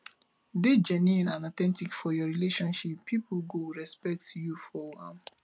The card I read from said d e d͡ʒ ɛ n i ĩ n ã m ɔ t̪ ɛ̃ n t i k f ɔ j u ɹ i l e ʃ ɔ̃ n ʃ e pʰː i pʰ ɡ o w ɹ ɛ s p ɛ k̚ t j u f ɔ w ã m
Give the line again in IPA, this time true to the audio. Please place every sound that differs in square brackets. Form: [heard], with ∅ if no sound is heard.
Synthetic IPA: d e d͡ʒ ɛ n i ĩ n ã [n] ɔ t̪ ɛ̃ n t i k f ɔ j [ɔ] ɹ i l e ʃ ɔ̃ n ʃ [i] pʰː i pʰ ɡ o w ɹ ɛ s p ɛ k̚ t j u f ɔ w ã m